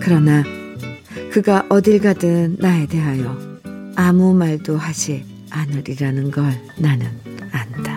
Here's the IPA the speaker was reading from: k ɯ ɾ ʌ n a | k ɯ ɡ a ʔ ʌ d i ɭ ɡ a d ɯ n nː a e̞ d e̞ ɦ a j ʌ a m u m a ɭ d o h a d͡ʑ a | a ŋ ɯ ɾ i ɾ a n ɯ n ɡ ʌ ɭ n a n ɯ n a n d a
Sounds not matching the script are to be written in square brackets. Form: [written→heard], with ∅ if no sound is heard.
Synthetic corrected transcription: k ɯ ɾ ʌ n a | k ɯ ɡ a ʔ ʌ d i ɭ ɡ a d ɯ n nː a e̞ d e̞ ɦ a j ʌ a m u m a ɭ d o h a d͡ʑ [a→i] | a [ŋ→n] ɯ ɾ i ɾ a n ɯ n ɡ ʌ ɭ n a n ɯ n a n d a